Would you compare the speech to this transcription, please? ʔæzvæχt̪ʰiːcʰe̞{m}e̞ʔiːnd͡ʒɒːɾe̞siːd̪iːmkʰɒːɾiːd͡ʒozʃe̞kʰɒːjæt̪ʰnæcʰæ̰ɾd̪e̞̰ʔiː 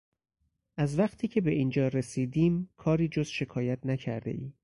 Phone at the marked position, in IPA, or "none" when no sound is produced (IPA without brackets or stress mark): b